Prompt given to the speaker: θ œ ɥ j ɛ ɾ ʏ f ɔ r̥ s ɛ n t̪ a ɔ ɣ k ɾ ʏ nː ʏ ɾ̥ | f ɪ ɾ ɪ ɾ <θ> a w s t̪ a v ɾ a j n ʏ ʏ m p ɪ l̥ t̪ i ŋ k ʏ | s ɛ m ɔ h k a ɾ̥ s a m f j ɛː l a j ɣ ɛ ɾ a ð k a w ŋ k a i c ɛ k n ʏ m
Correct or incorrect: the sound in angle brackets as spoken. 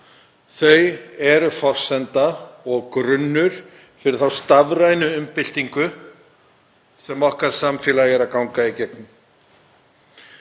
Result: correct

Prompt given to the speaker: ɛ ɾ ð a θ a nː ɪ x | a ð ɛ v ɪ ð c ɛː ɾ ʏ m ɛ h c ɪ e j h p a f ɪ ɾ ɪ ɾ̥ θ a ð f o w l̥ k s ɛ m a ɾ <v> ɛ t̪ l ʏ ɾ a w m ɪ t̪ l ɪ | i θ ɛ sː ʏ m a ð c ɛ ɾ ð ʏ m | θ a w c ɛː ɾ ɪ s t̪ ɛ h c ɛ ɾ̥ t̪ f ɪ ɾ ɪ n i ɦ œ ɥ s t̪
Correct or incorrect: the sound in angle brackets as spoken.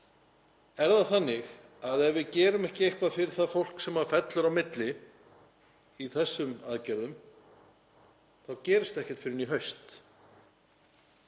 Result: incorrect: f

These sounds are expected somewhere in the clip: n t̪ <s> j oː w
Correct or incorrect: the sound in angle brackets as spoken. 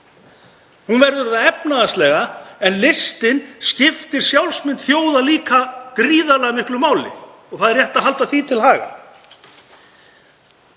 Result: incorrect: θ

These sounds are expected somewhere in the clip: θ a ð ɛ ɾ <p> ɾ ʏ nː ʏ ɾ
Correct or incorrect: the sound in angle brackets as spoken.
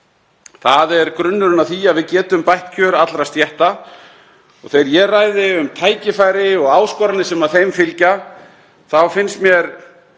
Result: incorrect: k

